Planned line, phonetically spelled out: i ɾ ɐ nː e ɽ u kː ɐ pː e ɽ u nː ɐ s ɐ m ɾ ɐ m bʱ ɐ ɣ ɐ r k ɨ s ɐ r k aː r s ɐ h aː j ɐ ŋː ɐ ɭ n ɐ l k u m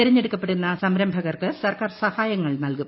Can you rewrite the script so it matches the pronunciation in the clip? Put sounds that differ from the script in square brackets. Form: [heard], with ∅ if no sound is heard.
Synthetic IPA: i ɾ ɐ [ɲː] e ɽ u kː ɐ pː e ɽ u nː ɐ s ɐ m ɾ ɐ m bʱ ɐ ɣ ɐ r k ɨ s ɐ r k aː r s ɐ h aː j ɐ ŋː ɐ ɭ n ɐ l k u m